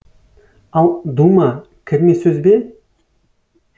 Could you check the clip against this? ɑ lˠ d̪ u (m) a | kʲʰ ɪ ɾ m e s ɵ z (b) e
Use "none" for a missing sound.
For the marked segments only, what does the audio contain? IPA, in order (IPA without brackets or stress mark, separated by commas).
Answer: m, b